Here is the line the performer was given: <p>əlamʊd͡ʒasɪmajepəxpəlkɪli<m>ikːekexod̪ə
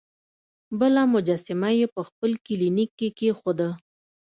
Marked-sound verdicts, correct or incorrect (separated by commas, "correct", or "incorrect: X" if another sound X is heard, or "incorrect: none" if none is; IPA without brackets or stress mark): incorrect: b, incorrect: n